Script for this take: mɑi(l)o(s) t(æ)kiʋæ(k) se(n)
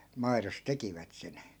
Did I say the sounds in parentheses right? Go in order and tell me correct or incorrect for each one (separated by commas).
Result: incorrect, correct, incorrect, incorrect, correct